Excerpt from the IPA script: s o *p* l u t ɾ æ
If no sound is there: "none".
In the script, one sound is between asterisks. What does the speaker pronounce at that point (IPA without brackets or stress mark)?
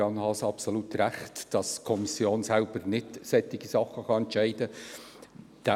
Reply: none